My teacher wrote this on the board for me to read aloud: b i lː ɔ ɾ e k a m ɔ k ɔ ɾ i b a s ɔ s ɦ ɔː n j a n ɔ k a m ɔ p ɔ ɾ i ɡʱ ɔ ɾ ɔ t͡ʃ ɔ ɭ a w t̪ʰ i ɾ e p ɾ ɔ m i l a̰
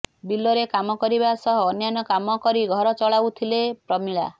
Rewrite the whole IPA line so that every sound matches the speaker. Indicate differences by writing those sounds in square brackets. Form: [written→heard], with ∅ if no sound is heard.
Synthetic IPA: b i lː ɔ ɾ e k a m ɔ k ɔ ɾ i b a s ɔ [s→∅] ɦ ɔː n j a n ɔ k a m ɔ [p→k] ɔ ɾ i ɡʱ ɔ ɾ ɔ t͡ʃ ɔ ɭ a w t̪ʰ i [ɾ→l] e p ɾ ɔ m i [l→ɭ] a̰